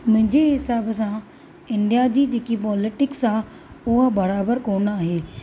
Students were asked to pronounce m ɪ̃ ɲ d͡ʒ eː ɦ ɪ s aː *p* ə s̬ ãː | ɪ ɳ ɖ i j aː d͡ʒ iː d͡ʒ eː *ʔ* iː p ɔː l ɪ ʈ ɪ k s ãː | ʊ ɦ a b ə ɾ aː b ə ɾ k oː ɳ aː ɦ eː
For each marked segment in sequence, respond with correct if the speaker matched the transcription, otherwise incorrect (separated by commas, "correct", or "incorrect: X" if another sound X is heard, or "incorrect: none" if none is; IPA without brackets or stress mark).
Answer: incorrect: b, incorrect: k